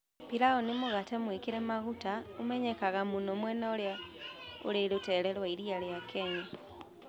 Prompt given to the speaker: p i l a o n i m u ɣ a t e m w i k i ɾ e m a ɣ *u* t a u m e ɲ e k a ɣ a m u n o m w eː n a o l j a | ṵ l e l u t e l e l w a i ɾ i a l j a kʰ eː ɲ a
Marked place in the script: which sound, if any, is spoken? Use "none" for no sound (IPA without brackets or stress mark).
u